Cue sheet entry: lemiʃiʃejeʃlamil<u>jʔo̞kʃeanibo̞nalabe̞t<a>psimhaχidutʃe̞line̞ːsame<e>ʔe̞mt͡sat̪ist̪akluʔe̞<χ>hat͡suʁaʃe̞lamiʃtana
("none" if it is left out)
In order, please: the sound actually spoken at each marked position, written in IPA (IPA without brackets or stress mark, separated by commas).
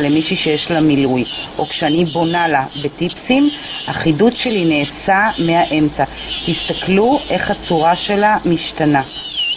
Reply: u, i, a, χ